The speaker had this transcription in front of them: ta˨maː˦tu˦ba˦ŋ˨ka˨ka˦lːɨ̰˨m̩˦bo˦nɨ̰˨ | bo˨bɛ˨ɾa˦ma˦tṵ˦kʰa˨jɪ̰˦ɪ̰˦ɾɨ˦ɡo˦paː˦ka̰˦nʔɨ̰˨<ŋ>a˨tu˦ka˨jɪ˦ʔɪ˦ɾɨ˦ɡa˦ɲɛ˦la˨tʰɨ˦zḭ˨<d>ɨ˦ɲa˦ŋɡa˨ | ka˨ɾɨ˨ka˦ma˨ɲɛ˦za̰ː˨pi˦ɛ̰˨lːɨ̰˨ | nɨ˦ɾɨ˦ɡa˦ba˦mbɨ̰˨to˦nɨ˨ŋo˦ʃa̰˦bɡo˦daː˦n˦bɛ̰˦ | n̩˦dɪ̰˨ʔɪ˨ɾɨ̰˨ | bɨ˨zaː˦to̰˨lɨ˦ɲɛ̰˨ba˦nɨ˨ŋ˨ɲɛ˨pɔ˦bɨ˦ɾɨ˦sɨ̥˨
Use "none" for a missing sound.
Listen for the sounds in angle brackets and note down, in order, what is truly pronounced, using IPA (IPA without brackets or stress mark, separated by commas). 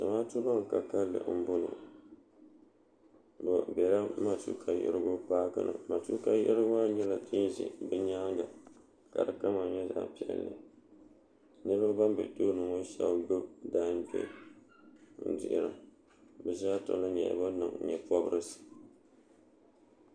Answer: m, b